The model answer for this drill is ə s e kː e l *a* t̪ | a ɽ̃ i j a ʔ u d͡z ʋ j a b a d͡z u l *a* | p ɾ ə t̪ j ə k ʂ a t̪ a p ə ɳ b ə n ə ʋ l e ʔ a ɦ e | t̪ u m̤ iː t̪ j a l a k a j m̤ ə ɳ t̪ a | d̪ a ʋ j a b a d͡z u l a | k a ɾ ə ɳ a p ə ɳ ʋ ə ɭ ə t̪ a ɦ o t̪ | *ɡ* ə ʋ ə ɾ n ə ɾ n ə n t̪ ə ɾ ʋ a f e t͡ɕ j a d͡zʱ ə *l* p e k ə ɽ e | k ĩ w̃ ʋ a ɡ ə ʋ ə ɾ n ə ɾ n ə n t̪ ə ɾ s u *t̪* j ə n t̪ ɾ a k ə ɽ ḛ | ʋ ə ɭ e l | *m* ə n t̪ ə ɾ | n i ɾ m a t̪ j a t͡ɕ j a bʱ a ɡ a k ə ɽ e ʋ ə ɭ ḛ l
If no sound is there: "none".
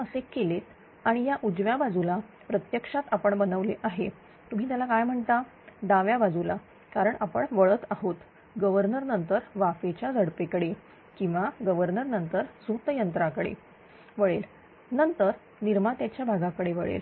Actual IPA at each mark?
e, a, ɡ, ɽ, t̪, n

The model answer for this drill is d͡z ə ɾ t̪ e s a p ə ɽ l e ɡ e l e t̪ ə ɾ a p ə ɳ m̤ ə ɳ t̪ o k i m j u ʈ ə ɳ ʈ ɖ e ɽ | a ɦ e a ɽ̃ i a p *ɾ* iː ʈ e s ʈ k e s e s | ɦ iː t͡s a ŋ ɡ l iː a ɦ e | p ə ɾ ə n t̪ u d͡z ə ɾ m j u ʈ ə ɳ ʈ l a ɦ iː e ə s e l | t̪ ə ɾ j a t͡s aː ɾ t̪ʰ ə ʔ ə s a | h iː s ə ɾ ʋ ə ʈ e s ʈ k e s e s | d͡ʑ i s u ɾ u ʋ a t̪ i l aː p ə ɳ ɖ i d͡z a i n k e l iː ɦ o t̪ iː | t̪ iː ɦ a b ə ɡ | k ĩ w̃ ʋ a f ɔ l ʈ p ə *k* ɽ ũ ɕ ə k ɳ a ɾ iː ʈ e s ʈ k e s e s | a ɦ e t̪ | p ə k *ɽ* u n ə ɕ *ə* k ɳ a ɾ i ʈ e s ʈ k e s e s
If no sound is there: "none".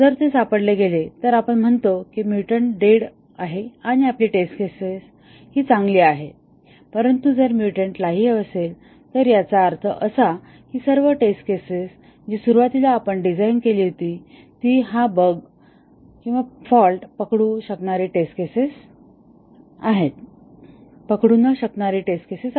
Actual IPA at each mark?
l, k, ɽ, ə

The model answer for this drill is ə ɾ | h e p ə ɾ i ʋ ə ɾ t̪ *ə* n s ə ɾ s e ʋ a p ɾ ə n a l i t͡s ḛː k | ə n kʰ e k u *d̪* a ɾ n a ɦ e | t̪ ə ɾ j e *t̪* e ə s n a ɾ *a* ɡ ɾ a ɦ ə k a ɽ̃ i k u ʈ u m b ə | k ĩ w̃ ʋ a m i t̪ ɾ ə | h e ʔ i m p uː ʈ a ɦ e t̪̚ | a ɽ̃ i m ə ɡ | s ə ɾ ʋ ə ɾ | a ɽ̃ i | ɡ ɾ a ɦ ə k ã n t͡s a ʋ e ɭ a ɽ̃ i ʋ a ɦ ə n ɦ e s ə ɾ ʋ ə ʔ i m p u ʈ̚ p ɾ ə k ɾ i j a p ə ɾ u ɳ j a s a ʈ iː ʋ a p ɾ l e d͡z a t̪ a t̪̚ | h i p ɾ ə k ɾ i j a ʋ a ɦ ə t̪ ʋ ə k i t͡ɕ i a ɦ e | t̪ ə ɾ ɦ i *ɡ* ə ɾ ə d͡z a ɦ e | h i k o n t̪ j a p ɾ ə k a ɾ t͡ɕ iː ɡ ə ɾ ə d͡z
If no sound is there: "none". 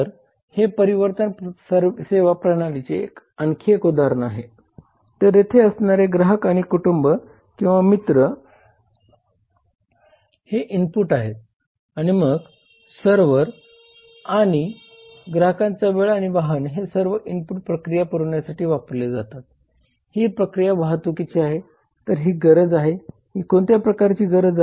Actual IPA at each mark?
ə, d̪, t̪ʰ, e, ɡ

